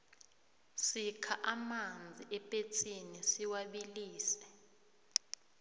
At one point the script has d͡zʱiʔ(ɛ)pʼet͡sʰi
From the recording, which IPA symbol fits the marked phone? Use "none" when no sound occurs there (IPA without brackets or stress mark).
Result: ɛ